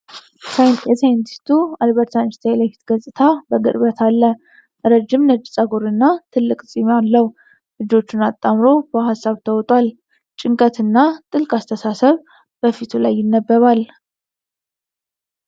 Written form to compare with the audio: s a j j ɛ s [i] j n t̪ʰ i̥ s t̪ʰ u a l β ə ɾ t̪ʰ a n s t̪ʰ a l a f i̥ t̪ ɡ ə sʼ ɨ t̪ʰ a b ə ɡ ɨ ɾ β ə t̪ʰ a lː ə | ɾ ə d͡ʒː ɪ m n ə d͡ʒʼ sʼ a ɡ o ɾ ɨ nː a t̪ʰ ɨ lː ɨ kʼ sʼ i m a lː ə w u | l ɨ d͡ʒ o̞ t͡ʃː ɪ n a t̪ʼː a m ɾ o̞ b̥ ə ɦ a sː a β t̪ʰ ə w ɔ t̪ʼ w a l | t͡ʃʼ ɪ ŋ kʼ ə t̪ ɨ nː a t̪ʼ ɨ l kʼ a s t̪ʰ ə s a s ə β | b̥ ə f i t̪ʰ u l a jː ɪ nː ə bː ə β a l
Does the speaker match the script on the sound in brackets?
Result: no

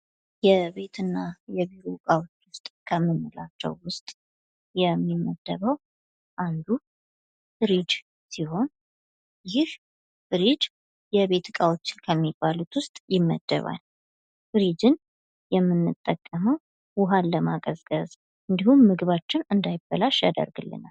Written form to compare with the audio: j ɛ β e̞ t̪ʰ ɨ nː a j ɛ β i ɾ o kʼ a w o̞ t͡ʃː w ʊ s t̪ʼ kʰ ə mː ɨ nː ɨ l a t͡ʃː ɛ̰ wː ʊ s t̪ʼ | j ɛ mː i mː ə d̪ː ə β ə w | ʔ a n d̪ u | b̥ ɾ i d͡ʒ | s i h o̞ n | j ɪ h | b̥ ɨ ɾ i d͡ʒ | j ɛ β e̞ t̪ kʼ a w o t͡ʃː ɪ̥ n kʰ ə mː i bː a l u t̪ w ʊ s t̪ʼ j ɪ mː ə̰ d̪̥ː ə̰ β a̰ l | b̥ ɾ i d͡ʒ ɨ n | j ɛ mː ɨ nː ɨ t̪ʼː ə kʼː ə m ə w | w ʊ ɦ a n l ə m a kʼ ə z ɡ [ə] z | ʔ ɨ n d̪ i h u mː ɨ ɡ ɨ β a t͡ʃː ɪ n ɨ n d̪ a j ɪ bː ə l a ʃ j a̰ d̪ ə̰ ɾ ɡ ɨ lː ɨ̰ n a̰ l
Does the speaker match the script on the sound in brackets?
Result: yes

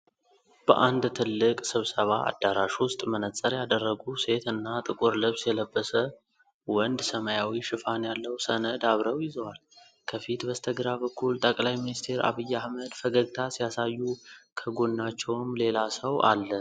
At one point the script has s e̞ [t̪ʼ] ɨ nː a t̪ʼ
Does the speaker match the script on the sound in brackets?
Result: no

